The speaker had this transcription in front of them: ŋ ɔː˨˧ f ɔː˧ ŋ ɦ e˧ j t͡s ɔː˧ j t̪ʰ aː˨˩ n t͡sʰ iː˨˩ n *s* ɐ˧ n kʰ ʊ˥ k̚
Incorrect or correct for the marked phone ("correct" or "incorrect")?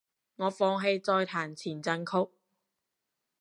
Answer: incorrect